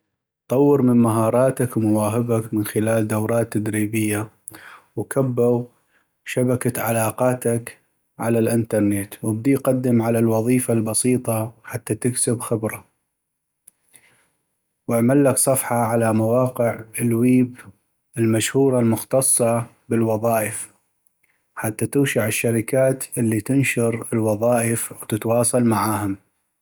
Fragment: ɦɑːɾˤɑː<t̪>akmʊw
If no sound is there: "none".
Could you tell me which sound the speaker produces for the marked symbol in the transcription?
t̪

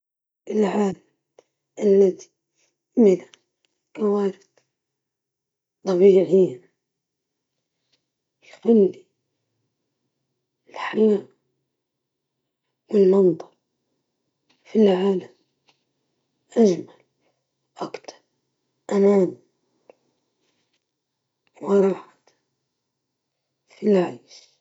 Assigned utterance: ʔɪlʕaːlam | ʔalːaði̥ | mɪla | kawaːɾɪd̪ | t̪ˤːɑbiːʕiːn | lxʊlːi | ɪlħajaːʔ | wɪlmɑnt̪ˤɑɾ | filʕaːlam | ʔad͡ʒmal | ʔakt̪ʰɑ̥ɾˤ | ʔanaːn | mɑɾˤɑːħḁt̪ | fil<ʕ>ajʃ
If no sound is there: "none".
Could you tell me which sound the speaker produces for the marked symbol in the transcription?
ʕ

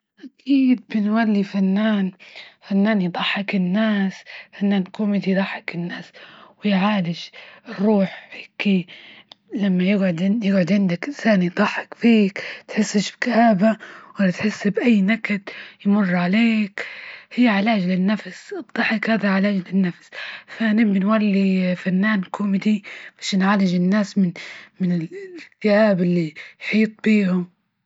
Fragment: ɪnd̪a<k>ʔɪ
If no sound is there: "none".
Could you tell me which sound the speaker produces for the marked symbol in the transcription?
k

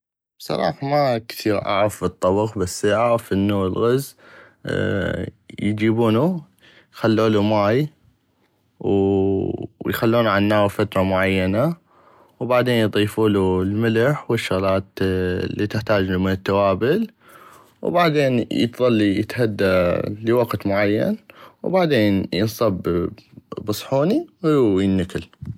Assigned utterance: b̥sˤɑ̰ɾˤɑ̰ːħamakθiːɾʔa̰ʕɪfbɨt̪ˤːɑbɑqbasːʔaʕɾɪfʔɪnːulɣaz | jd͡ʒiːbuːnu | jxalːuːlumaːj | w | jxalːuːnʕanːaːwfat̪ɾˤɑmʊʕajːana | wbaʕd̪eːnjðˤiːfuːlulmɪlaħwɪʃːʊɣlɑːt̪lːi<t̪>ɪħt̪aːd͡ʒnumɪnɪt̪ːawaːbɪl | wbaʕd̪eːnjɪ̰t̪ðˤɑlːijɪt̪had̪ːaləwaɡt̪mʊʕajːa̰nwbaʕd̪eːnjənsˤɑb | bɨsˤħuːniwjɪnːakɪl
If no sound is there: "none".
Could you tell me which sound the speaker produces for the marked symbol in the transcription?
t̪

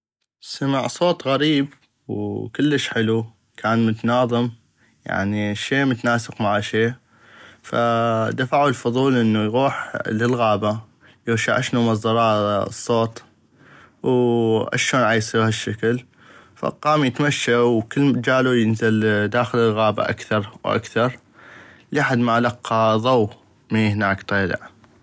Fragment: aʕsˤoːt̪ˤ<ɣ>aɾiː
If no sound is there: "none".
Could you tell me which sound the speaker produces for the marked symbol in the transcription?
ɣ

